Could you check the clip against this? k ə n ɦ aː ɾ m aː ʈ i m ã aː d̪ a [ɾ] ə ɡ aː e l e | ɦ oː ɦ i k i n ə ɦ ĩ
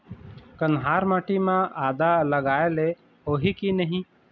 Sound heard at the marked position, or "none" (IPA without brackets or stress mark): l